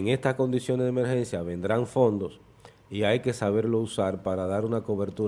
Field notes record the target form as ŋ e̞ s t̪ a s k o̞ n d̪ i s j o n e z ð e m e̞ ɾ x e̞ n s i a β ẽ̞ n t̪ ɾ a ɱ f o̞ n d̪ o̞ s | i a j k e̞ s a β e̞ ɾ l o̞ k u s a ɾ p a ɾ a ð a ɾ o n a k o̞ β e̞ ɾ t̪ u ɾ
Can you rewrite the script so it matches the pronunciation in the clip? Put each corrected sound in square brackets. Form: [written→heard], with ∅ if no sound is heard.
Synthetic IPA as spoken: ŋ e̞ s t̪ a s k o̞ n d̪ i s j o n e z ð e m e̞ ɾ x e̞ n s [i→j] a β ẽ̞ n [t̪→d̪] ɾ a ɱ f o̞ n d̪ o̞ s | i a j k e̞ s a β e̞ ɾ l o̞ [k→∅] u s a ɾ p a ɾ a ð a ɾ [o→u] n a k o̞ β e̞ ɾ t̪ u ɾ